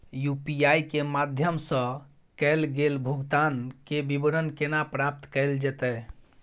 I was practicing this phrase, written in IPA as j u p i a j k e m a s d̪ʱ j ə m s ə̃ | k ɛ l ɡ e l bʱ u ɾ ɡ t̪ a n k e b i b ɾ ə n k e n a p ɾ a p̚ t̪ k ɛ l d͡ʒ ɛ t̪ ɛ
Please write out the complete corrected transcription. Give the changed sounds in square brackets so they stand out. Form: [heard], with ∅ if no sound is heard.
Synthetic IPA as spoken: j u p i a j k e m a [∅] d̪ʱ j ə m s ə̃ | k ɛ l ɡ e l bʱ u [∅] ɡ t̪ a n k e b i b ɾ ə n k e n a p ɾ a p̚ t̪ k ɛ l d͡ʒ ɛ t̪ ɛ